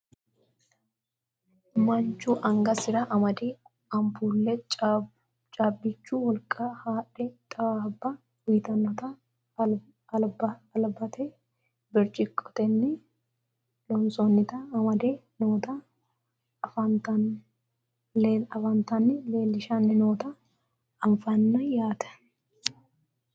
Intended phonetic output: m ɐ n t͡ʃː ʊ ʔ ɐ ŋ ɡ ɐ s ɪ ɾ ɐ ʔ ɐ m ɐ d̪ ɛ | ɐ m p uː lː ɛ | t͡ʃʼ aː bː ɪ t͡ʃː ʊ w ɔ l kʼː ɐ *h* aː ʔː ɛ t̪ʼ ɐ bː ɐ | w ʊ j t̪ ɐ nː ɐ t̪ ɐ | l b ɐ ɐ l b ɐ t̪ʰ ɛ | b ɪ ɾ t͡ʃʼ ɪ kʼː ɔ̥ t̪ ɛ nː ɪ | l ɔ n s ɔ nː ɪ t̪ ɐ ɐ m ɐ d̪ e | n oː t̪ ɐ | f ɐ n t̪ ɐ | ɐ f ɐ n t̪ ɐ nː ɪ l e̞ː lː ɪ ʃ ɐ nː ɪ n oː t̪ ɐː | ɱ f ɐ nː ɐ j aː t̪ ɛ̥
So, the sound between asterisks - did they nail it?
yes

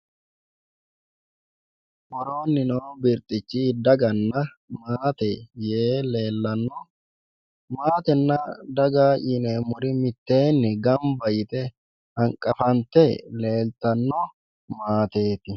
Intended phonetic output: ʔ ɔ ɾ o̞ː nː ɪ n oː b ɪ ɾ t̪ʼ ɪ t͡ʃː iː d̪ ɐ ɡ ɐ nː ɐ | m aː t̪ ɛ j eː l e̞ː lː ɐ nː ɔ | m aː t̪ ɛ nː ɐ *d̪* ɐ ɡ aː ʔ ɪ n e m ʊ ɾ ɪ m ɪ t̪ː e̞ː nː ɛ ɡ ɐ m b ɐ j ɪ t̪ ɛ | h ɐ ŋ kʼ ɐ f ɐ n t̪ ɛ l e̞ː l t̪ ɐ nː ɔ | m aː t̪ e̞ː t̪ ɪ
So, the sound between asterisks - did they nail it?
yes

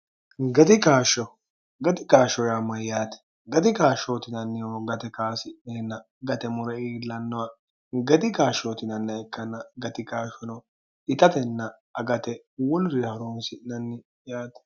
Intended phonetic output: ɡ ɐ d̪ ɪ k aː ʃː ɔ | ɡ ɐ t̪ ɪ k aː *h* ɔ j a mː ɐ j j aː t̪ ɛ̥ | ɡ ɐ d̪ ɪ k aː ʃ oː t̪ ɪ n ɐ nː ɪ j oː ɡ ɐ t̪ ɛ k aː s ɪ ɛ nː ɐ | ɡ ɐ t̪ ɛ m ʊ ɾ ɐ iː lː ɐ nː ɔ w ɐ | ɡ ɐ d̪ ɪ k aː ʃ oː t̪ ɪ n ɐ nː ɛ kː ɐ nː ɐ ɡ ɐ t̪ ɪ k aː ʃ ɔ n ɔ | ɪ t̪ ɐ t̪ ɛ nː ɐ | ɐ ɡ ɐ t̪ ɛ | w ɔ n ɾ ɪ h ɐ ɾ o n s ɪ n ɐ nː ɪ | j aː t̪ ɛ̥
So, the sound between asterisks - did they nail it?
no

